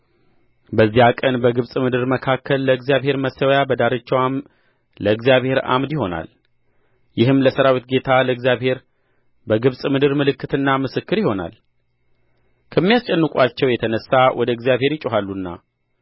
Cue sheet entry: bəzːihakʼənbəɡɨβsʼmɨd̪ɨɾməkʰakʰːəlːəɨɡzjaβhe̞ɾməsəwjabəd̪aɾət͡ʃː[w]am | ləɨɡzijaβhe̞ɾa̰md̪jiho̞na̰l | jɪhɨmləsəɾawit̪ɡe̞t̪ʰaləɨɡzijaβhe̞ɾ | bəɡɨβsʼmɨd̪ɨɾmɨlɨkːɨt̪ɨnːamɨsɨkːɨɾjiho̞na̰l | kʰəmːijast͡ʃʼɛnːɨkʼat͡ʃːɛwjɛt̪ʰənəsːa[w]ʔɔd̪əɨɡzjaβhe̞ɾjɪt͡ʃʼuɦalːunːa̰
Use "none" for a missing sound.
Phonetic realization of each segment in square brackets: w, w

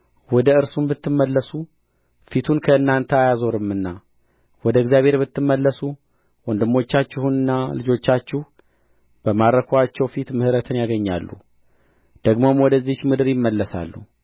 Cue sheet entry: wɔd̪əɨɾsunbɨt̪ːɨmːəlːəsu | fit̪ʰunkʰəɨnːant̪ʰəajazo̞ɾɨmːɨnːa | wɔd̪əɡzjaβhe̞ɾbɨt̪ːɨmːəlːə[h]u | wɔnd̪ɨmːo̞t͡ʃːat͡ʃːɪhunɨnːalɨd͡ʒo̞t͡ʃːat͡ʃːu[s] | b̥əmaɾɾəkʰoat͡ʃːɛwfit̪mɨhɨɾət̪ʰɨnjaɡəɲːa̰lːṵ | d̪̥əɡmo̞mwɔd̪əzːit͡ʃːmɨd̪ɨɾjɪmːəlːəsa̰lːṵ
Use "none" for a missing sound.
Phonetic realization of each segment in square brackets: s, h

